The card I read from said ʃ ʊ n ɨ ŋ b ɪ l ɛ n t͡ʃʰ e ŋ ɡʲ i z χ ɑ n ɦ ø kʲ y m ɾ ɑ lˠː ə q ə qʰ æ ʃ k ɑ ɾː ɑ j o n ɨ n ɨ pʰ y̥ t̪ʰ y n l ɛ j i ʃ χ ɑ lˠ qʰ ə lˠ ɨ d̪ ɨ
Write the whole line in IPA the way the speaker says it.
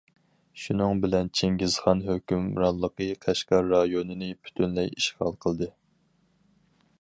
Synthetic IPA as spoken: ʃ u n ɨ ŋ b ɪ l ɛ n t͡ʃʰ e ŋ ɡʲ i z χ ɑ n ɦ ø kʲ y m ɾ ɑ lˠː ə q ə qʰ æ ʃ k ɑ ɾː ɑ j o n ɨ n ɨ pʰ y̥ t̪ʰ y n l ɛ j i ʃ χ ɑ lˠ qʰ ə lˠ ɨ d̪ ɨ